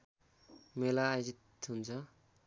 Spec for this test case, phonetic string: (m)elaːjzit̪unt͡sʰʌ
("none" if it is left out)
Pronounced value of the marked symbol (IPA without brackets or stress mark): m